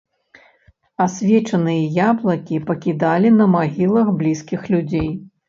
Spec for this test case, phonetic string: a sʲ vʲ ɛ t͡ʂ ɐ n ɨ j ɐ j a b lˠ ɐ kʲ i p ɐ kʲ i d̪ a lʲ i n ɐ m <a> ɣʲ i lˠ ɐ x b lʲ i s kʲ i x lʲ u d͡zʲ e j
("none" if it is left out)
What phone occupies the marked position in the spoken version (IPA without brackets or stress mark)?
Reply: a